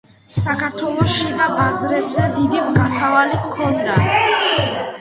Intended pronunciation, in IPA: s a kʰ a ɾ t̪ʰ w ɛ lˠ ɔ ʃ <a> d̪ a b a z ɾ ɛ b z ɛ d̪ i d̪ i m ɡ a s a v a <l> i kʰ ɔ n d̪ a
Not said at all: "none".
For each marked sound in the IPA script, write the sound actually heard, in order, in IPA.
i, l

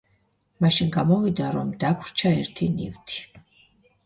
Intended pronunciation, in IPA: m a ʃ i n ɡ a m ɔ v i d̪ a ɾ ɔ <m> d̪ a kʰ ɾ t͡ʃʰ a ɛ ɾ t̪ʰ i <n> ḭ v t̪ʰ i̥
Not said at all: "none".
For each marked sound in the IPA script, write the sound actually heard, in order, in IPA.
m, n

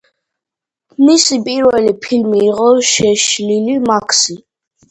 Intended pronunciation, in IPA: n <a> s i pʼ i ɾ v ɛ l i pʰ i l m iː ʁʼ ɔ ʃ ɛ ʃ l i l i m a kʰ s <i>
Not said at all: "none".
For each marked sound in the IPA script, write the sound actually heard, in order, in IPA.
i, i

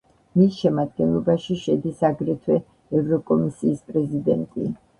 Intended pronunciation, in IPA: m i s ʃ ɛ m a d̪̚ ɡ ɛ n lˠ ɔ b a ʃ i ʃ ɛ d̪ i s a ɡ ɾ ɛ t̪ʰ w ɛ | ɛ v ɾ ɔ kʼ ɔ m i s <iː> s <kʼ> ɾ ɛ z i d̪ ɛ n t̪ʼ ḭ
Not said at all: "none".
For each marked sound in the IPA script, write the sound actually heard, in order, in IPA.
iː, pʼ

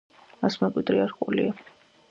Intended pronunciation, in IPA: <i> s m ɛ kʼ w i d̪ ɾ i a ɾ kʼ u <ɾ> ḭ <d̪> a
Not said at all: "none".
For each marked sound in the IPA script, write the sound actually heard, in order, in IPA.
a, l, none

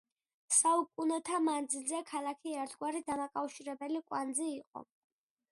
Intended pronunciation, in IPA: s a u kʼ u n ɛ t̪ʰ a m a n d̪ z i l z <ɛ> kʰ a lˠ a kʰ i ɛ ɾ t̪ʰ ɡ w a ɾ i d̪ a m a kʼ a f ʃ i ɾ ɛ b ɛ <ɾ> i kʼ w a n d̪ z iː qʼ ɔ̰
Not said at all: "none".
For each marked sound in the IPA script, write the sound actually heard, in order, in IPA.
ɛ, l

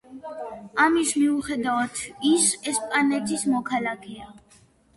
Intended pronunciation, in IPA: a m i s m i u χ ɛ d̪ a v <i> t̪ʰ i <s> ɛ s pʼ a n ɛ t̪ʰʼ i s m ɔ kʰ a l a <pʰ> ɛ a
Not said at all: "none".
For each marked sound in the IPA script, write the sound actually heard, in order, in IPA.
a, s, kʰ

